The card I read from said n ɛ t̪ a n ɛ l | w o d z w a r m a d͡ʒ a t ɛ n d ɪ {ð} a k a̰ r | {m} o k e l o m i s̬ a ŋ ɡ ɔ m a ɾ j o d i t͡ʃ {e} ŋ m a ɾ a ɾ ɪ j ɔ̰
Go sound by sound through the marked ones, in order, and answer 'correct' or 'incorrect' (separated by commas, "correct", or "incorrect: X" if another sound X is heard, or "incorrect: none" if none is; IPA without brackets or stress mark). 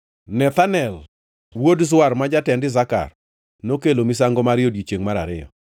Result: incorrect: z, incorrect: n, correct